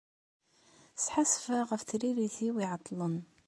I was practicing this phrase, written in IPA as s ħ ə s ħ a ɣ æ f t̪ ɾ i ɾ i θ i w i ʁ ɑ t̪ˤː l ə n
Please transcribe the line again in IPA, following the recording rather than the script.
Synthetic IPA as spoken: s ħ a s f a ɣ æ f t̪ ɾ i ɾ i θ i w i ʕ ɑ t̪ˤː l ə n